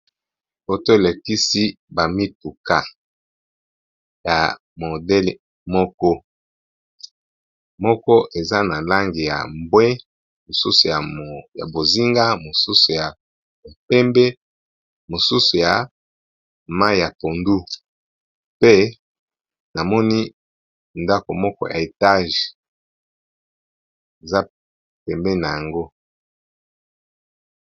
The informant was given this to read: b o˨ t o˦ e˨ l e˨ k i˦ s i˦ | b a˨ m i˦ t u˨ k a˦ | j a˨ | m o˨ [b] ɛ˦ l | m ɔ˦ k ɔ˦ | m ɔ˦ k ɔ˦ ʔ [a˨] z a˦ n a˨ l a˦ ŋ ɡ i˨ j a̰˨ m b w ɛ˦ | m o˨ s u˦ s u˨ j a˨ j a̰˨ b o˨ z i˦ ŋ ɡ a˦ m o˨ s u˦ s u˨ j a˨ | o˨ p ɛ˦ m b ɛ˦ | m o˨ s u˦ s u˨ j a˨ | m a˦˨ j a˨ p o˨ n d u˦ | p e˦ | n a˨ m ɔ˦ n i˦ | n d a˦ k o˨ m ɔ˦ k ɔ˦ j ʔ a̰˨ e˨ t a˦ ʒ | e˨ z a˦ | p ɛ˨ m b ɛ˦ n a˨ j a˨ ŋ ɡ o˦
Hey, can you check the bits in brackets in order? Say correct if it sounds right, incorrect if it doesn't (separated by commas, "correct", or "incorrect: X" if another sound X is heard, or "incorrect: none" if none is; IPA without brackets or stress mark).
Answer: incorrect: d, incorrect: e˨